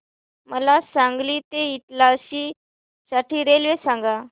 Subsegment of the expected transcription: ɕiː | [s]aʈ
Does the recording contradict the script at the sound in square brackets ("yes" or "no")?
no